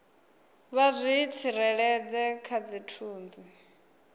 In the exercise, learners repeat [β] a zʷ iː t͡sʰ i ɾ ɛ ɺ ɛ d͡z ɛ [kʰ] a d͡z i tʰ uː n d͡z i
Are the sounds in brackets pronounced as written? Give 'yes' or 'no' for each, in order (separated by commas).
yes, yes